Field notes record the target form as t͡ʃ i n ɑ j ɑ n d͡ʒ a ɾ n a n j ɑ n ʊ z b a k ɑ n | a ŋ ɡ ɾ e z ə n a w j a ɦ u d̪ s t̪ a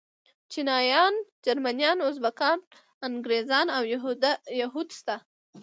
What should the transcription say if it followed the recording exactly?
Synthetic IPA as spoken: t͡ʃ i n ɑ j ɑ n d͡ʒ a ɾ m a n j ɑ n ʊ z b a k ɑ n | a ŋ ɡ ɾ e z ɑ n a w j a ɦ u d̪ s t̪ a